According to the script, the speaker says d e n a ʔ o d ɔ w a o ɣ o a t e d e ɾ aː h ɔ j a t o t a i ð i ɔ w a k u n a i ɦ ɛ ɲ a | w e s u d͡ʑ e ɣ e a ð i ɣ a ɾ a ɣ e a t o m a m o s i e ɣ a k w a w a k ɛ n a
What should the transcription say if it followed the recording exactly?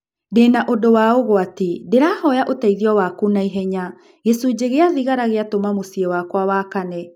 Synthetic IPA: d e n a ʔ o d o w a o ɣ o a t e d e ɾ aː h ɔ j a ʔ o t a i ð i ɔ w a k u n a i ɦ ɛ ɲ a | ɣ e s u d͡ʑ e ɣ e a ð i ɣ a ɾ a ɣ e a t o m a m o s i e w a k w a w a k a n ɛ